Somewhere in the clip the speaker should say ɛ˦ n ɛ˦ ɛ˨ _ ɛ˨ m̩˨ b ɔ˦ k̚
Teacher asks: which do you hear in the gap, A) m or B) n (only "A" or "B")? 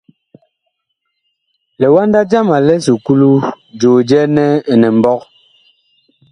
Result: B